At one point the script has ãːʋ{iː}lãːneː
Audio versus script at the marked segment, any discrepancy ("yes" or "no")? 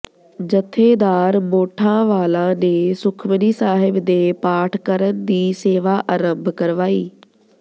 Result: yes